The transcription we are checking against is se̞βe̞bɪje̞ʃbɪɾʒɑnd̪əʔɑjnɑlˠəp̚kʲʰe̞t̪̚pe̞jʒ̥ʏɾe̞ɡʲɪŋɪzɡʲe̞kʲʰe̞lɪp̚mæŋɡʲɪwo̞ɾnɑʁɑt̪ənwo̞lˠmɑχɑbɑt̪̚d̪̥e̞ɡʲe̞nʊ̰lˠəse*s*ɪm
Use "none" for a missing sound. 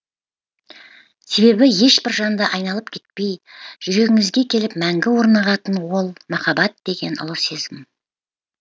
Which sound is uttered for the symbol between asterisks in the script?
z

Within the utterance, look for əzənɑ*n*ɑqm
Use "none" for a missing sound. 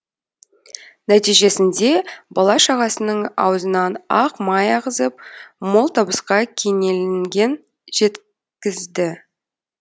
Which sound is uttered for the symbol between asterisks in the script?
n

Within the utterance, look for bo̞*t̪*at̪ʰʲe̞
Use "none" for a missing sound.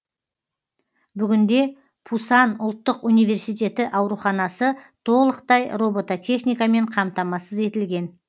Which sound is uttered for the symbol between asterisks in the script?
t̪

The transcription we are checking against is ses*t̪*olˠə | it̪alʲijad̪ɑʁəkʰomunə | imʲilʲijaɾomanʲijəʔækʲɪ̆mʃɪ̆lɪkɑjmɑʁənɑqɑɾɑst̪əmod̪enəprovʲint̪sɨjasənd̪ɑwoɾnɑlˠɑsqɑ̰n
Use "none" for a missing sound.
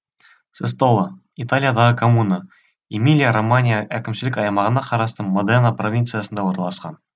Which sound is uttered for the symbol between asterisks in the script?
t̪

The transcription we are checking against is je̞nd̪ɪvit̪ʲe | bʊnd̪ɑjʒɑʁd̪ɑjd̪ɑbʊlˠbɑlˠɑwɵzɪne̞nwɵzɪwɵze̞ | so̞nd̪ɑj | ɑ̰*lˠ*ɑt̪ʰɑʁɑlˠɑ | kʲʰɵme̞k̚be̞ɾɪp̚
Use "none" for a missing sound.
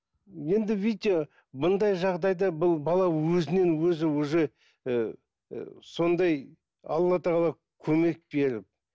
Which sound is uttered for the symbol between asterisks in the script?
lˠː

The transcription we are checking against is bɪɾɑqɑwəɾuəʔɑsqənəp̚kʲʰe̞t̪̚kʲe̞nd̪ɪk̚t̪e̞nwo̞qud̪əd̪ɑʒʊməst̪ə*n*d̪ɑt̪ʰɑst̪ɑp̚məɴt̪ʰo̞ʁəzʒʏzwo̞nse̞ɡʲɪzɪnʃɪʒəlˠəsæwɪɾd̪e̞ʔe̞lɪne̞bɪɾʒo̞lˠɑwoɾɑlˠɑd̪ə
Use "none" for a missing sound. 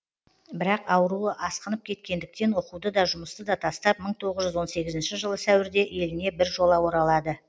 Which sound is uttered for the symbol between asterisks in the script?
none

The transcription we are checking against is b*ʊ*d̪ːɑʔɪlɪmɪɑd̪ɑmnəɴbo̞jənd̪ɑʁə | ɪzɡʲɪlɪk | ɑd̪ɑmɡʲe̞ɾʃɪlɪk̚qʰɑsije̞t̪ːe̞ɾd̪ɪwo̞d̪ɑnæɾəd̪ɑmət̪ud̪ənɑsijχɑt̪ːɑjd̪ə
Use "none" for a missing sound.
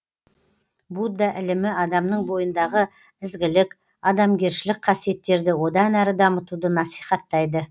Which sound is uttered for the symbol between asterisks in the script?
u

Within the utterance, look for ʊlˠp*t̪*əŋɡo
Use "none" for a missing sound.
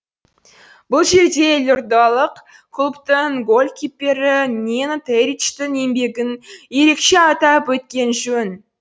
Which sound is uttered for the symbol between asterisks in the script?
t̪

